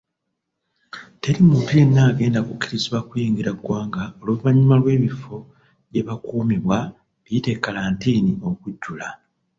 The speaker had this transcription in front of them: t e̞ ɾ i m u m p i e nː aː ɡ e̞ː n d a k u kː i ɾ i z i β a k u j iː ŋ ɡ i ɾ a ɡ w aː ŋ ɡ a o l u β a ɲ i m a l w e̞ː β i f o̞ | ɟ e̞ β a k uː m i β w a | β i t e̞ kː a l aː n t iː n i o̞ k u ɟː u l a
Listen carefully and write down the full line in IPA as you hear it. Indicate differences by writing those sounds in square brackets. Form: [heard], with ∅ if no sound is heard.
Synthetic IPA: t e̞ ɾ i m u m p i e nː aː ɡ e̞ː n d a k u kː i ɾ i z i β a k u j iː ŋ ɡ i ɾ a ɡ w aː ŋ ɡ a o l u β a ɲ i m a l w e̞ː β i f o̞ | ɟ e̞ β a k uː m i β w a | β i t e̞ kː a l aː n t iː n i o̞ k u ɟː u l a